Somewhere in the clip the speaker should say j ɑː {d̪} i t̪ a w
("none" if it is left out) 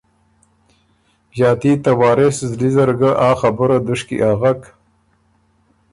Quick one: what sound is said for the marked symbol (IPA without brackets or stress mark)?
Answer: t̪